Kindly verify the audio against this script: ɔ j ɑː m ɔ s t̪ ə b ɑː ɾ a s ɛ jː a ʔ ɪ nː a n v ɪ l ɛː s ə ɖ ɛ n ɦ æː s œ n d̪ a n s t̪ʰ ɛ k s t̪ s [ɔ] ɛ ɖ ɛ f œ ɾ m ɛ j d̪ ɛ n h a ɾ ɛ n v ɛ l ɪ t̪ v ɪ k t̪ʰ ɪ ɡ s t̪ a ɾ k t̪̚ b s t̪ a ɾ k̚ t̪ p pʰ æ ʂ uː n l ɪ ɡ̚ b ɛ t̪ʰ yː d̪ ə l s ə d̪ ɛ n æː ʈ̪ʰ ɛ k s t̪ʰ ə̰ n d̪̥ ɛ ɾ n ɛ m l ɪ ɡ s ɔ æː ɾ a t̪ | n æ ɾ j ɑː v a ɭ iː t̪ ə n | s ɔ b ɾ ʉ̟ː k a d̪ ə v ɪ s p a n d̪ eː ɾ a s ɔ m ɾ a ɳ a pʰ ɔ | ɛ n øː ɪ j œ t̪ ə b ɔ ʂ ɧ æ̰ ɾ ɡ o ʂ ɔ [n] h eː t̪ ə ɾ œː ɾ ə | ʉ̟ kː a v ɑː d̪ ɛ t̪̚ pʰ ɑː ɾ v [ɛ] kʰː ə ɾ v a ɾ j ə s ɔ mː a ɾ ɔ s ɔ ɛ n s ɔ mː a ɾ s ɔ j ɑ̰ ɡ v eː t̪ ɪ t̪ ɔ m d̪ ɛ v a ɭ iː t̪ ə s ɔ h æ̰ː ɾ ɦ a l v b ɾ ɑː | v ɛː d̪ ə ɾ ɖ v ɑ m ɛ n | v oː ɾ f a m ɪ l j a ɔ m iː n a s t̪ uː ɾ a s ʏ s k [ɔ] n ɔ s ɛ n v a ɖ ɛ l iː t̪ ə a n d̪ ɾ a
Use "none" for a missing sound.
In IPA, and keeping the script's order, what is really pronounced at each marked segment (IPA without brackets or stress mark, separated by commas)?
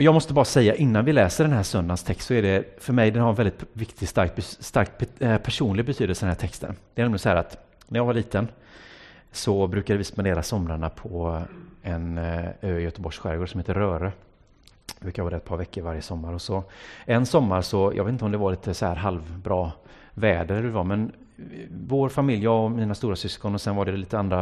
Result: ɔ, m, ɛ, ɔ